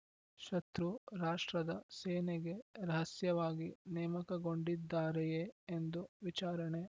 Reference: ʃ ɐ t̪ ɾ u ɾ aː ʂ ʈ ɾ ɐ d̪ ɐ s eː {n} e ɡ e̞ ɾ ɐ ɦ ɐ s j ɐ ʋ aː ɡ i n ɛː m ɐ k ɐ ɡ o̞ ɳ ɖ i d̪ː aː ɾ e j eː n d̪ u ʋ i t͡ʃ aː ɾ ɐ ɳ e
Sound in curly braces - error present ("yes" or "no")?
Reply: no